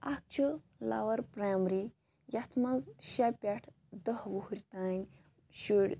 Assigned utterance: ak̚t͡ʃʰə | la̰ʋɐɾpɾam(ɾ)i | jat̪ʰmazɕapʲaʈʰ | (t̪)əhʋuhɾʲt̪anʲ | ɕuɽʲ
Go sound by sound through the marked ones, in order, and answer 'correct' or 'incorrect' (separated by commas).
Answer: correct, incorrect